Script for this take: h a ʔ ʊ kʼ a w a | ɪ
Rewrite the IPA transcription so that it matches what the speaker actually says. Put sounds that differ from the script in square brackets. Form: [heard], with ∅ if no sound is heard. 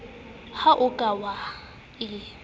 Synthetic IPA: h a ʔ ʊ kʼ a w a | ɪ